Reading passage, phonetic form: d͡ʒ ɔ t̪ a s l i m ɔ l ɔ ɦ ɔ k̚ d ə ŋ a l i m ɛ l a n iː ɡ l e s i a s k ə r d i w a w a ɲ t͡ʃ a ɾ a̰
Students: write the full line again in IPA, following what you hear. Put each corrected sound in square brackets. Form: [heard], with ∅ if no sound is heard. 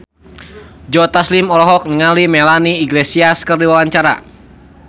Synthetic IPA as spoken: d͡ʒ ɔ t̪ a s l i m ɔ l ɔ ɦ ɔ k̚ [n] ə ŋ a l i m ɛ l a n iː ɡ l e s i a s k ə r d i w a w a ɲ t͡ʃ a ɾ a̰